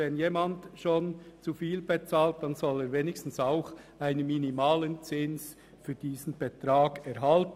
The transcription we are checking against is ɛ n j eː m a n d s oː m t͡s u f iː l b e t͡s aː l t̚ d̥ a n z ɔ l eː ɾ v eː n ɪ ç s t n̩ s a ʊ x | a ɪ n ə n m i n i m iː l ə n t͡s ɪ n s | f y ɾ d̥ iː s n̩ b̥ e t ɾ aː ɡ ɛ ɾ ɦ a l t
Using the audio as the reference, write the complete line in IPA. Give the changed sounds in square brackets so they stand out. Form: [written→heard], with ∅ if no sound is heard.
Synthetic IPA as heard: ɛ n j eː m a n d [s→ʃ] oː [m→n] t͡s u f iː l b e t͡s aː l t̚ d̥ a n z ɔ l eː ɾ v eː n ɪ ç s t n̩ s a ʊ x | a ɪ n ə n m i n i m [iː→aː] l ə n t͡s ɪ n s | f [y→yː] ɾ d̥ iː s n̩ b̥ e t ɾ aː ɡ ɛ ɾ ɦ a l t